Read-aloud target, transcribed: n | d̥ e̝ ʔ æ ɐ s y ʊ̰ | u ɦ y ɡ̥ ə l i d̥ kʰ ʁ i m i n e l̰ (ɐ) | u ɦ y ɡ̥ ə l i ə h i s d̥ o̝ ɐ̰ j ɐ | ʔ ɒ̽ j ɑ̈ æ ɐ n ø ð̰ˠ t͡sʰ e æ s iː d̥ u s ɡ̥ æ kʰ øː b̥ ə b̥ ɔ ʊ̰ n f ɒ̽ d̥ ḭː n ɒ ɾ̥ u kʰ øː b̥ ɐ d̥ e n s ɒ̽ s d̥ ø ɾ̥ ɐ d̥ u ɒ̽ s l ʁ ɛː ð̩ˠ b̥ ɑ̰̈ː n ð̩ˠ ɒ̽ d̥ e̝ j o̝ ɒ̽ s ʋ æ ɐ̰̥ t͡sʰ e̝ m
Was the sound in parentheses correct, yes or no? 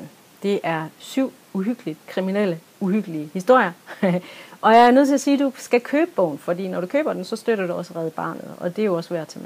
no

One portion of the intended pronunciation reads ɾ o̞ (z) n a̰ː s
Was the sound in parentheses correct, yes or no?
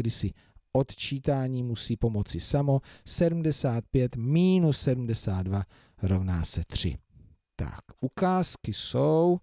no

